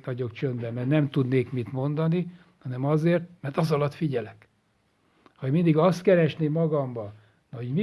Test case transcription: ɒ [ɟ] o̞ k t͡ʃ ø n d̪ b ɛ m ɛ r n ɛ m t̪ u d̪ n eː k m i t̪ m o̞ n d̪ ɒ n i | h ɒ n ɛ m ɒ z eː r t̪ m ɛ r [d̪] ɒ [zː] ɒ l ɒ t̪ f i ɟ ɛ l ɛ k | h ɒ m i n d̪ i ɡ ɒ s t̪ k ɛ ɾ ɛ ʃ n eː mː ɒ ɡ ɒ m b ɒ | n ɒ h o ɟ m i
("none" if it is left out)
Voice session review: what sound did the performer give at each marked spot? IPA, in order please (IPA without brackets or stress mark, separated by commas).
ɟ, t̪, z